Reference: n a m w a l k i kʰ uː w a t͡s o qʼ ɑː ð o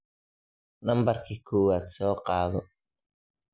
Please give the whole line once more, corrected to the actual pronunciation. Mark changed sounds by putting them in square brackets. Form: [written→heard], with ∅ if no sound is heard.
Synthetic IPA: n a m [w→b] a [l→ɾ] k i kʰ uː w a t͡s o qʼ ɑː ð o